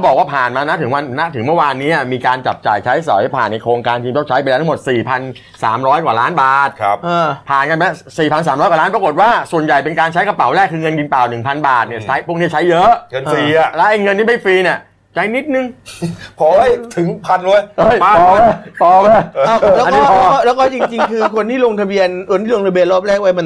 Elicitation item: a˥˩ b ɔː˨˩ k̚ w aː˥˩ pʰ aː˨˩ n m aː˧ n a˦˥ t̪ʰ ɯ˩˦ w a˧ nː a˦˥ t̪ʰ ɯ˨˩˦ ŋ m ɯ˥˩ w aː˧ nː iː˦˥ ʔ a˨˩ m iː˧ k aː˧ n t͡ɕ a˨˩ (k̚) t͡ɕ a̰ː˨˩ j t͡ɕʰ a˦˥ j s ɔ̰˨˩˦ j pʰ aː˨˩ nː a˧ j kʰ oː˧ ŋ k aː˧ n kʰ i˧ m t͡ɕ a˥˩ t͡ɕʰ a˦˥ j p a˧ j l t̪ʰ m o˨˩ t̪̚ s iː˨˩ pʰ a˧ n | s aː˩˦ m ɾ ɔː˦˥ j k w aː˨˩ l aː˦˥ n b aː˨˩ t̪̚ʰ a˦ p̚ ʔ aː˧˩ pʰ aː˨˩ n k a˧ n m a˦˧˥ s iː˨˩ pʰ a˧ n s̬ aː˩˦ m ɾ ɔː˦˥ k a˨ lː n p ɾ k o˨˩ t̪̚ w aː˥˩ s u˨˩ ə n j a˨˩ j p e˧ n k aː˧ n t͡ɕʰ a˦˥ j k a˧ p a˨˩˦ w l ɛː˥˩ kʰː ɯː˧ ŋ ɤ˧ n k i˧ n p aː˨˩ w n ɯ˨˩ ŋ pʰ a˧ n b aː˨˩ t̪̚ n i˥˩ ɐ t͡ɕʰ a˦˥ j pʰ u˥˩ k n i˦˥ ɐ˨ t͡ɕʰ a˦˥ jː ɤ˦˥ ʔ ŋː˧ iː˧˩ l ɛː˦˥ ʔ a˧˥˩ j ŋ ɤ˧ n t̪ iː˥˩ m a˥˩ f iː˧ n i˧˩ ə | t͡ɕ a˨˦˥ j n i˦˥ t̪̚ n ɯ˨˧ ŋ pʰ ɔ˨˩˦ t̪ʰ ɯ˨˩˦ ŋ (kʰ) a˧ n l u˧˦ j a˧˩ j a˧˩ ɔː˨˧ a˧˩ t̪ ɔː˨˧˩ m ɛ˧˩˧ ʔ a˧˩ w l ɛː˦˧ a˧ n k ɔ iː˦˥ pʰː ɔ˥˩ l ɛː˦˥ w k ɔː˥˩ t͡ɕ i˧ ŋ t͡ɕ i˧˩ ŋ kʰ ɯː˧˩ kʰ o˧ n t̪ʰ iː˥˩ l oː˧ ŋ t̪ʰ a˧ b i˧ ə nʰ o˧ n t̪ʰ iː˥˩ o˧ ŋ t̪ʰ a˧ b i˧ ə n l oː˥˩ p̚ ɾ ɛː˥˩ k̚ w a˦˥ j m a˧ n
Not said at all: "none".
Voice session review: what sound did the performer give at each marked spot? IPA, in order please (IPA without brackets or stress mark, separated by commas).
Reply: p̚, pʰ